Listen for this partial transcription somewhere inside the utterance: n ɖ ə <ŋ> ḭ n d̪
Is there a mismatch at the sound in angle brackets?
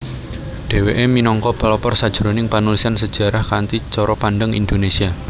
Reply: no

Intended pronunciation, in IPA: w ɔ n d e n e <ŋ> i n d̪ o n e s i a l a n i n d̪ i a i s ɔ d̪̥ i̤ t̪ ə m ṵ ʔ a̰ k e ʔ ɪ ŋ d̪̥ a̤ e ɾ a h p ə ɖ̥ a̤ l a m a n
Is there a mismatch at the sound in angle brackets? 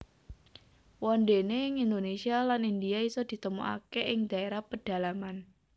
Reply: no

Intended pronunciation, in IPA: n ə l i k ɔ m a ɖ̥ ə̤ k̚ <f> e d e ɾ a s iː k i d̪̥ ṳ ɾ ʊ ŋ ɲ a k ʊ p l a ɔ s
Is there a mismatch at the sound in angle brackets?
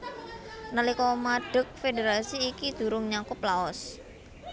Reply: no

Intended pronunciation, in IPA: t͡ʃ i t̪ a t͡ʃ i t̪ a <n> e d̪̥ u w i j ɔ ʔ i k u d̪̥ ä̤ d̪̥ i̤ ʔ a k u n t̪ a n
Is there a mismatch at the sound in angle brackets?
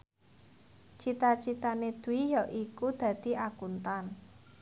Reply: no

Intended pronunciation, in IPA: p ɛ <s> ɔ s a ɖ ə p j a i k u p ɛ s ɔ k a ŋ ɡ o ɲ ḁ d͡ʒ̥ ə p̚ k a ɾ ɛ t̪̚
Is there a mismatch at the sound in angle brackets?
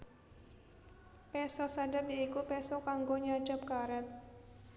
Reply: no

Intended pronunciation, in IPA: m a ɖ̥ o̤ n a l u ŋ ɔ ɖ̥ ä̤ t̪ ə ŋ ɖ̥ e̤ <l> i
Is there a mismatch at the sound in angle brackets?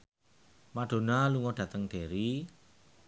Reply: yes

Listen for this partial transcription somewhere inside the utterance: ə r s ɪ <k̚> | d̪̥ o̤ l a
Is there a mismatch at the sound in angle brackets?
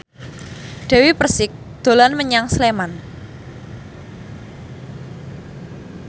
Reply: no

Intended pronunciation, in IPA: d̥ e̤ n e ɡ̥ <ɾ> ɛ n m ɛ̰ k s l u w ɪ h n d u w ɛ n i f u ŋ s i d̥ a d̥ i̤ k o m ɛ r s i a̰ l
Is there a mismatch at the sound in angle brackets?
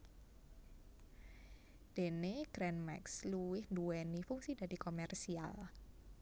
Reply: no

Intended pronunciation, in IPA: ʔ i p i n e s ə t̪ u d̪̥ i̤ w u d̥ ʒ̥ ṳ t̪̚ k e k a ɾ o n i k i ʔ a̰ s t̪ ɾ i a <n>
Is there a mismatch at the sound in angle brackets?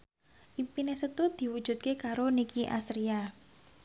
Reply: yes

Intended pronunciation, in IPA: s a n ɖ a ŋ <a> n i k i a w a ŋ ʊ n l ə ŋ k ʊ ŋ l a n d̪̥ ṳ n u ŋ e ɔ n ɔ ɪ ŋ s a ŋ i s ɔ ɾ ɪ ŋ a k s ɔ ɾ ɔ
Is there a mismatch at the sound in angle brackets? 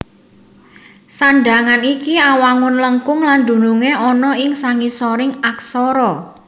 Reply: no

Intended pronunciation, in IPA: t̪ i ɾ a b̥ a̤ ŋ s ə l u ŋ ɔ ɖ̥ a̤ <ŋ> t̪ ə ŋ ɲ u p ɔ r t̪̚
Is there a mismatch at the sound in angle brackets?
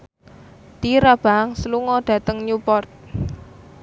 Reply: yes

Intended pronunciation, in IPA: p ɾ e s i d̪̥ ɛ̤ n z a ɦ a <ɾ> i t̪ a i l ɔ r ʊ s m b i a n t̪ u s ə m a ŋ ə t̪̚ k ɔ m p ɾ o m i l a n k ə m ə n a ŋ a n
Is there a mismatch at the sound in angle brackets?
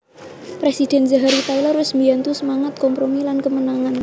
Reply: no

